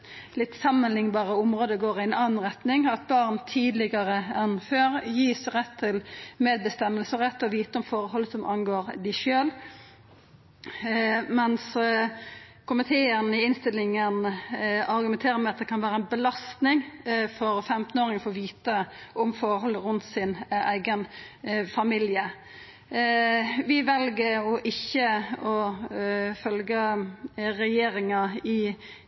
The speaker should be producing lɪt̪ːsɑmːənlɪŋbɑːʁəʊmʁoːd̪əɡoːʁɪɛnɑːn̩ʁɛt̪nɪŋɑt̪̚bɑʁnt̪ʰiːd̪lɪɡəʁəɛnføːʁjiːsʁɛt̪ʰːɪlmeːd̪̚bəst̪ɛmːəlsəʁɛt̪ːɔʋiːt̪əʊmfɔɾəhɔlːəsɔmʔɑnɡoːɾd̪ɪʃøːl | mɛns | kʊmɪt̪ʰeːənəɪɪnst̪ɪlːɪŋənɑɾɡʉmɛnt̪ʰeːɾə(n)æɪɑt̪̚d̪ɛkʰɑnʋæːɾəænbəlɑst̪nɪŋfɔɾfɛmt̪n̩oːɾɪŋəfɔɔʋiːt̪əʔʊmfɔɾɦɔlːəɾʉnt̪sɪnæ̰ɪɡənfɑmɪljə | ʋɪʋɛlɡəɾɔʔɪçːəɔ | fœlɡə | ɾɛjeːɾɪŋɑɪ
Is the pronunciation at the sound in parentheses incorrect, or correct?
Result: incorrect